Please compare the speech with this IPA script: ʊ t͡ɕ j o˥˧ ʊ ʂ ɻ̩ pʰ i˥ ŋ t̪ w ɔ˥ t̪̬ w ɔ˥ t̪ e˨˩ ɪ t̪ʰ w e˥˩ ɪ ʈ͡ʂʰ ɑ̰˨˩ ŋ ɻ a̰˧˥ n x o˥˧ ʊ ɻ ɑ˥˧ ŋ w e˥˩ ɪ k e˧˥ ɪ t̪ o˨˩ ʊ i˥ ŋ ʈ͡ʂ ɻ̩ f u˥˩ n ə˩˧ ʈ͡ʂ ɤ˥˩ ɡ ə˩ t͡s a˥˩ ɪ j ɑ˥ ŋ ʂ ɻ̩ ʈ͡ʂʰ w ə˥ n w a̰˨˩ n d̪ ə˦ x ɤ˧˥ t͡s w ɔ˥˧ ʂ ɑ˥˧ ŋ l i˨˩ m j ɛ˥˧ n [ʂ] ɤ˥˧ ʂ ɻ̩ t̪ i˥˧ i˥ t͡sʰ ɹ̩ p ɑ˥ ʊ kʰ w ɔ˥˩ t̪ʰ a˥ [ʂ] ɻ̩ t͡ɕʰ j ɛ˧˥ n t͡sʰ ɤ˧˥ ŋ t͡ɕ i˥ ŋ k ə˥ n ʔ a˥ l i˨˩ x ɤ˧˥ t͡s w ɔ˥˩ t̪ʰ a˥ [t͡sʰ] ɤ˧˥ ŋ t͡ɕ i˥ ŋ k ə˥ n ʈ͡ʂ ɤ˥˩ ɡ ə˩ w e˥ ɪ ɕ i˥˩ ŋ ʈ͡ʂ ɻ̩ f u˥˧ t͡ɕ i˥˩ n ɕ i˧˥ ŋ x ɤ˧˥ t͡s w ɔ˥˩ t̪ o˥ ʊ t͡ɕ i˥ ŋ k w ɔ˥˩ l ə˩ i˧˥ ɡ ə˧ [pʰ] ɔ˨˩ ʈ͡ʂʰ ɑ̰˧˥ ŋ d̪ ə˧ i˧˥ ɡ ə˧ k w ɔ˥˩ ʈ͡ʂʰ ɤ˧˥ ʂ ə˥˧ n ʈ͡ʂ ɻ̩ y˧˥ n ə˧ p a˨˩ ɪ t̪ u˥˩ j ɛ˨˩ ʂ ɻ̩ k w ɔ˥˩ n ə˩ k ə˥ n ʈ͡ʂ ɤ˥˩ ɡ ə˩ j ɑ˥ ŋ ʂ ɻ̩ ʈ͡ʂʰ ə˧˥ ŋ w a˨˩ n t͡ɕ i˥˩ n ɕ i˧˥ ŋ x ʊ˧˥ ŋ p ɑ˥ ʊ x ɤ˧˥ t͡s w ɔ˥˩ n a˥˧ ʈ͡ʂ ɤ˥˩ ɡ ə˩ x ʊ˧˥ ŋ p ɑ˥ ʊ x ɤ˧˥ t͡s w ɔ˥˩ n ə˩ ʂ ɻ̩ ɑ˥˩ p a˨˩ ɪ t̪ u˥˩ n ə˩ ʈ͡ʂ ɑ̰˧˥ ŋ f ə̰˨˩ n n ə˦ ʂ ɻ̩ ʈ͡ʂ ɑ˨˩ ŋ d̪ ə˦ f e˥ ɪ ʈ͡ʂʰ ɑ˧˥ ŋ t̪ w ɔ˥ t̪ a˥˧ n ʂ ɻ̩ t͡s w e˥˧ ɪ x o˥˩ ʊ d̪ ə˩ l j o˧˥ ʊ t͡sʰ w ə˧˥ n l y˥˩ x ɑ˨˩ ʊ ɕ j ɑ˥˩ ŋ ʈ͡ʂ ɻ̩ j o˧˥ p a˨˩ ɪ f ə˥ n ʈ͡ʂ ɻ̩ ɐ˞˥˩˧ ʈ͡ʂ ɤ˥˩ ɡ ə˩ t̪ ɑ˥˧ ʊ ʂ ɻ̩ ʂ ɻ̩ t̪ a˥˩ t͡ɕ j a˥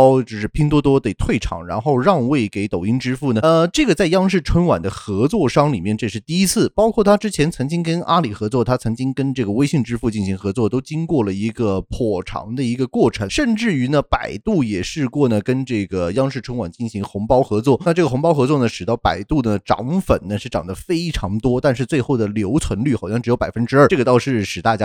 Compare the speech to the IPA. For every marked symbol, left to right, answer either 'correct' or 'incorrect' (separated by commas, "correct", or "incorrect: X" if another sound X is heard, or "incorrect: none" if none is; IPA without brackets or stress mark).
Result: incorrect: ʈ͡ʂ, incorrect: ʈ͡ʂ, correct, correct